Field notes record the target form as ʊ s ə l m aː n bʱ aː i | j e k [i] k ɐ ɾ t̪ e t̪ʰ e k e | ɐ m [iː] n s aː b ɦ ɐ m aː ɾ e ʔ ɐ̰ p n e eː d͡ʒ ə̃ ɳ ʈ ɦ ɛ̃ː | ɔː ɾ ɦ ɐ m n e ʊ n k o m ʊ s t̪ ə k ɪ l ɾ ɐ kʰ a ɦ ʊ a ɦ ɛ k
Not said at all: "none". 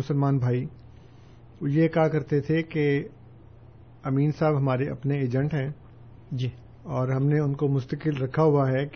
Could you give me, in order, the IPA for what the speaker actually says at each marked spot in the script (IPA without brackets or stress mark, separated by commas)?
a, iː